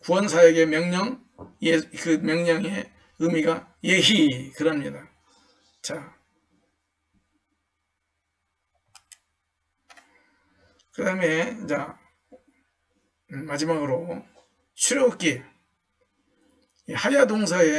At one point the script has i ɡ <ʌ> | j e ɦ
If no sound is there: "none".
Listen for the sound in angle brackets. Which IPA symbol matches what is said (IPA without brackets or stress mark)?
a